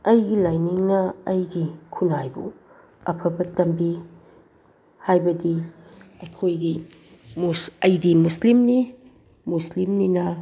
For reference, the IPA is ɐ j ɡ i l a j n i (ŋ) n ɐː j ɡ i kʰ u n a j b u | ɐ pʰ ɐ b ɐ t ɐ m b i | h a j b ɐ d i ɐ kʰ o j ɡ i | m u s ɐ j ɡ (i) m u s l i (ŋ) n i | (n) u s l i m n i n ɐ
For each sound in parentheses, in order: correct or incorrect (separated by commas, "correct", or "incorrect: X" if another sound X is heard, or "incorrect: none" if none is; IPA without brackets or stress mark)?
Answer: correct, correct, incorrect: m, incorrect: m